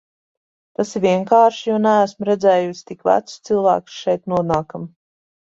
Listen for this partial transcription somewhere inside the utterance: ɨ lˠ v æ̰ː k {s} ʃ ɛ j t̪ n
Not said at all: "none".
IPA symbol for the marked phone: s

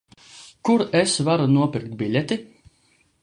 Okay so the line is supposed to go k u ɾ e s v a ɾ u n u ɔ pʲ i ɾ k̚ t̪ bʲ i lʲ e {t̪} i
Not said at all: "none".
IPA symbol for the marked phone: t̪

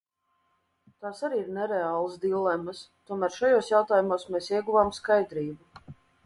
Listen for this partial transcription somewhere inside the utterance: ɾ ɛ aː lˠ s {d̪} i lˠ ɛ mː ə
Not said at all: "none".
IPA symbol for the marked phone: d̪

